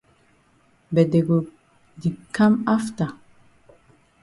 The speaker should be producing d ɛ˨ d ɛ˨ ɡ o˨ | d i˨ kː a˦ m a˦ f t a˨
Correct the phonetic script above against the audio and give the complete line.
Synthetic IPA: b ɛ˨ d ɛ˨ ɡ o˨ | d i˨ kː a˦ m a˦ f t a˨